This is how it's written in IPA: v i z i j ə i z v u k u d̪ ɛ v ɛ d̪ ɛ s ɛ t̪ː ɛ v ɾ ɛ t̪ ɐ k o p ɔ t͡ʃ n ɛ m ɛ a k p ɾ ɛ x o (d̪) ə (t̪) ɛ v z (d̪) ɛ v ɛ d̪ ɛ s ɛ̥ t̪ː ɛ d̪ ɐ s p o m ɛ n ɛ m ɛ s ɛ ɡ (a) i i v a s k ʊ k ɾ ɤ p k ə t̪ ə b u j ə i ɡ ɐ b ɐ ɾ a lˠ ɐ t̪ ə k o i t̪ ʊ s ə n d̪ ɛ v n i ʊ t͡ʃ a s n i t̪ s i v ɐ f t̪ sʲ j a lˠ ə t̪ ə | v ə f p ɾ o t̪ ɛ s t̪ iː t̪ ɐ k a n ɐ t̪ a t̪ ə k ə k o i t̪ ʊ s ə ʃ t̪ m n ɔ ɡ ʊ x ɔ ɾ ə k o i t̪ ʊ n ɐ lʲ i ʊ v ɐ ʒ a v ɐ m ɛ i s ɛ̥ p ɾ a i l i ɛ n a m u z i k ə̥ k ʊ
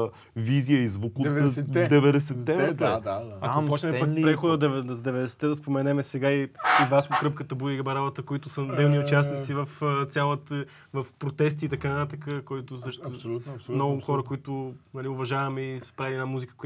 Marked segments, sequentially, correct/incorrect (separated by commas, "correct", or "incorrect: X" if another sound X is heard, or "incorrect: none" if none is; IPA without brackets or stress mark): correct, incorrect: d̪, correct, correct